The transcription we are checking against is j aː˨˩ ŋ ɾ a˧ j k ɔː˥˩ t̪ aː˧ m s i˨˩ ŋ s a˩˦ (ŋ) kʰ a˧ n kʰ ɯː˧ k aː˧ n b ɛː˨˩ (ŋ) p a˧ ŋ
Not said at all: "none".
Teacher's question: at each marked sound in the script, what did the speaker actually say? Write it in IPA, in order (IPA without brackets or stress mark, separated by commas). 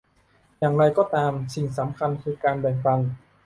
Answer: m, ŋ